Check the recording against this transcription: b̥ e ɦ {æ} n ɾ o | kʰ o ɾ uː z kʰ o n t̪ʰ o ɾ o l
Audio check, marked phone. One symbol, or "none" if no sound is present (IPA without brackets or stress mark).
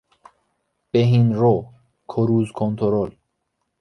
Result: i